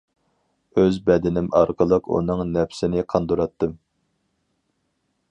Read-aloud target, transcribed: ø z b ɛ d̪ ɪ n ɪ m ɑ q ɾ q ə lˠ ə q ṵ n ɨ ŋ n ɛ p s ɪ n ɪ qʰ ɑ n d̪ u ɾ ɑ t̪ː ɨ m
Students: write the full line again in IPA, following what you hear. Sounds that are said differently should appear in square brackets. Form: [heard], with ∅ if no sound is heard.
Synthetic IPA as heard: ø z b ɛ d̪ ɪ n ɪ m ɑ [∅] ɾ q ə lˠ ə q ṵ n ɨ ŋ n ɛ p s ɪ n ɪ qʰ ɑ n d̪ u ɾ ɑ t̪ː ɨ m